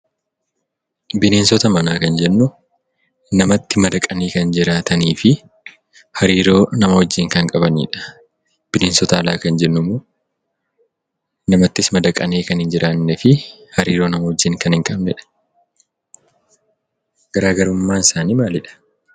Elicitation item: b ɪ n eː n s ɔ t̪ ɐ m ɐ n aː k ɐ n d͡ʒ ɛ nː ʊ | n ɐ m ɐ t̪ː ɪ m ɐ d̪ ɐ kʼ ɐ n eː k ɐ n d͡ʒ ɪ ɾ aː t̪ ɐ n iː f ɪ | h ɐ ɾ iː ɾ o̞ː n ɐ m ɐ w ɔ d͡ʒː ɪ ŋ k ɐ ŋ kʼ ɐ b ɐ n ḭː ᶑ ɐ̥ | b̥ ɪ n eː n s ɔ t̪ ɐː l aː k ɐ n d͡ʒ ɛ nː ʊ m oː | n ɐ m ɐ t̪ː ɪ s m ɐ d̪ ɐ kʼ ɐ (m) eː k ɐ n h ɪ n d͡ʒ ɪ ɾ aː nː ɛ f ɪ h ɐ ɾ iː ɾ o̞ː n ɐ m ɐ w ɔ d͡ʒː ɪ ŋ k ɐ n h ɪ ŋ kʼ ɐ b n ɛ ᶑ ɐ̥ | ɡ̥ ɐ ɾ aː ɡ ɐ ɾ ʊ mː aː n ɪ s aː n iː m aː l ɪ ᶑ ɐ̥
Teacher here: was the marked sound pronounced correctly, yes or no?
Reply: no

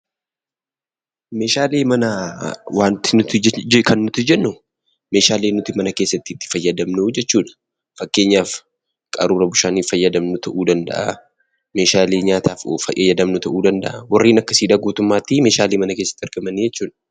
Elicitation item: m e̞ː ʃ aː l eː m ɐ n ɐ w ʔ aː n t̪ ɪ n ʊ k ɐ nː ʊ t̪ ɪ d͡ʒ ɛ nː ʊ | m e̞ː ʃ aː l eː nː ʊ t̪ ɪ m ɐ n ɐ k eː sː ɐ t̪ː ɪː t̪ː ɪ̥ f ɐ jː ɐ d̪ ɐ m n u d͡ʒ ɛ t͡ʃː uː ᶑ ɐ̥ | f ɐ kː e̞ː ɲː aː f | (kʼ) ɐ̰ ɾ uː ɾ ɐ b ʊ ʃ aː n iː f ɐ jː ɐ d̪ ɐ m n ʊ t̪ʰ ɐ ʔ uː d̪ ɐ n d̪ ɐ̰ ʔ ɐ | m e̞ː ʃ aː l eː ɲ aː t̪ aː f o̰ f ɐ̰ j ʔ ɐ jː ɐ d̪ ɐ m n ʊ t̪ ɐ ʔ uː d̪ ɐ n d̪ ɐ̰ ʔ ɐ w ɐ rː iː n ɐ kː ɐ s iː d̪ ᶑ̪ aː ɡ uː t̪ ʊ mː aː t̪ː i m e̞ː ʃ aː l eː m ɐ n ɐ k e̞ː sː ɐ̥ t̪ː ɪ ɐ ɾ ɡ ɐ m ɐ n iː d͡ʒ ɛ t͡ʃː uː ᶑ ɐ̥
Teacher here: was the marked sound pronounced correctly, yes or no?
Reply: yes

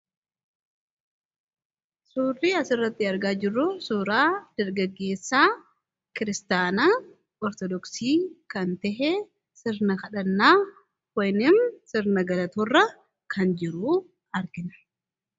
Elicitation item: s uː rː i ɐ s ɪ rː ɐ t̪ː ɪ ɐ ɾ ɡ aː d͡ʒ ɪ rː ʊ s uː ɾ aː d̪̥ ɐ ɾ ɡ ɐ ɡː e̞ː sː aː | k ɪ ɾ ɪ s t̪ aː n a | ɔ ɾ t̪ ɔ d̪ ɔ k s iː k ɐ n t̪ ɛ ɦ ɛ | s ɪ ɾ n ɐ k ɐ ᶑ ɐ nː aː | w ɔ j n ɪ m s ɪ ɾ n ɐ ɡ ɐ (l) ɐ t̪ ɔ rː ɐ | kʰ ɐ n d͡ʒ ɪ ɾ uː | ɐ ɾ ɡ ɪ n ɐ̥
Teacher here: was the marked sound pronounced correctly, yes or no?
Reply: yes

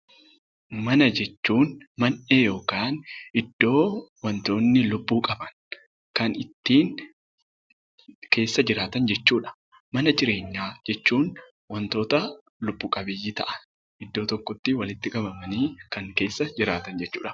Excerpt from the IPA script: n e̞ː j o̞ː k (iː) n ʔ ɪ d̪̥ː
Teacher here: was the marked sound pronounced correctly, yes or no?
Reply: no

